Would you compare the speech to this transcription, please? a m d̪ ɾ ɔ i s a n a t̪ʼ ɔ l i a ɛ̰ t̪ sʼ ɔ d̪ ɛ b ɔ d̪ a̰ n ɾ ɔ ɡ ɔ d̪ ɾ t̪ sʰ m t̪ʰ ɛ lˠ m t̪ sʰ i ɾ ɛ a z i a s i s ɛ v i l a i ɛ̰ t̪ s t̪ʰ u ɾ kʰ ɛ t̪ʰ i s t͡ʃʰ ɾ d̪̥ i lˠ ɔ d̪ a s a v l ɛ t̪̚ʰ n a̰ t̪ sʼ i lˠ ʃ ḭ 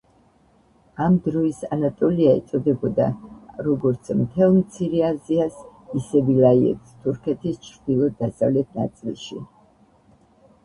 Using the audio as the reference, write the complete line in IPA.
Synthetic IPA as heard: a m d̪ ɾ ɔ i s a n a t̪ʼ ɔ l i a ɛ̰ t̪ sʼ ɔ d̪ ɛ b ɔ d̪ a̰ ɾ ɔ ɡ ɔ ɾ t̪ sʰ m t̪ʰ ɛ lˠ m t̪ sʰ i ɾ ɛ a z i a s i s ɛ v i l a i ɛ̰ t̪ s t̪ʰ u ɾ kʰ ɛ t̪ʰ i s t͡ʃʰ ɾ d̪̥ i lˠ ɔ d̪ a s a v l ɛ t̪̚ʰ n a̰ t̪ sʼ i lˠ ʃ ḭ